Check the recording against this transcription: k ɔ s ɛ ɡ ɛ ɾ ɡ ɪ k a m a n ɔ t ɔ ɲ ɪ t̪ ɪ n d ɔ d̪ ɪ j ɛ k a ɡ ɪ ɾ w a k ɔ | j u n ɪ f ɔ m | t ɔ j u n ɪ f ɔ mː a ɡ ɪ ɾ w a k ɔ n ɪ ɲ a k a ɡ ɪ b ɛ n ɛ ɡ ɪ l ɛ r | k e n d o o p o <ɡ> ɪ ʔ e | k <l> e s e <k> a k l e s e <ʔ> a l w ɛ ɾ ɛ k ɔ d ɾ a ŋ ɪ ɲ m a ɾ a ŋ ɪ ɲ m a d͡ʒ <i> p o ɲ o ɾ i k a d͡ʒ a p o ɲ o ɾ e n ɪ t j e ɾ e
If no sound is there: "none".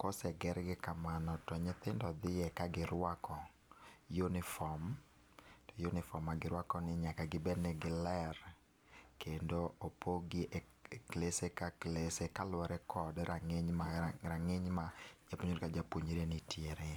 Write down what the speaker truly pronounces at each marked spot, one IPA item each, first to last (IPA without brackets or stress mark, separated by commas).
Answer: ɡ, l, k, k, a